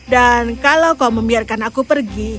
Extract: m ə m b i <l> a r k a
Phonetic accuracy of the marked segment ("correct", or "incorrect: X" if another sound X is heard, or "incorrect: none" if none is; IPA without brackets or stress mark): incorrect: none